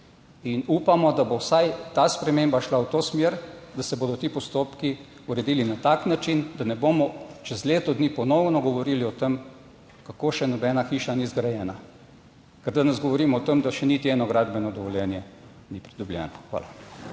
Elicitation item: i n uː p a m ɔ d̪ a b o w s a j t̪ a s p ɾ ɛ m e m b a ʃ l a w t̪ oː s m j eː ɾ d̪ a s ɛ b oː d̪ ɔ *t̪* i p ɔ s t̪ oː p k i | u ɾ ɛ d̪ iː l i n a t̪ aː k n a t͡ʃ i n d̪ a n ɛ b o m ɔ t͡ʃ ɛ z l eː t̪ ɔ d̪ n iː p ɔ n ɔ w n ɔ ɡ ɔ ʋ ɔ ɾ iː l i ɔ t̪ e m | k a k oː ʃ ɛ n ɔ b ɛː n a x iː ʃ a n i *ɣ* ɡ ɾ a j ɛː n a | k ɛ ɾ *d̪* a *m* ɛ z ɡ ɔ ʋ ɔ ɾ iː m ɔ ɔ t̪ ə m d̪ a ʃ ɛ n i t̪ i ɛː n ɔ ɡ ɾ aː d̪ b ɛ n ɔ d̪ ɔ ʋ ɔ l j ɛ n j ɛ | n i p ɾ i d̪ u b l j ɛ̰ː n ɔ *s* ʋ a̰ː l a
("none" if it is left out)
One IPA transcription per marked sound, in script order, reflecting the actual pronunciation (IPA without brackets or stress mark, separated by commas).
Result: t̪, z, d̪, n, x